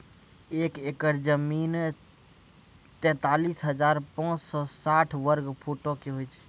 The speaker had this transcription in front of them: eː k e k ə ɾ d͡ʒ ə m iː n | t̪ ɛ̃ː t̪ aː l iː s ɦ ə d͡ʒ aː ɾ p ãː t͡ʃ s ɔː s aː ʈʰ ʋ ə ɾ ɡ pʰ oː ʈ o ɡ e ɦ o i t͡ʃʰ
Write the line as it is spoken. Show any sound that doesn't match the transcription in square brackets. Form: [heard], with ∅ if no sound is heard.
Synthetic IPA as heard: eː k e k ə ɾ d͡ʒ ə m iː n | t̪ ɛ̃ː t̪ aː l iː s ɦ ə d͡ʒ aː ɾ p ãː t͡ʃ s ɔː s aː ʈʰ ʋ ə ɾ ɡ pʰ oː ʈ o [k] e ɦ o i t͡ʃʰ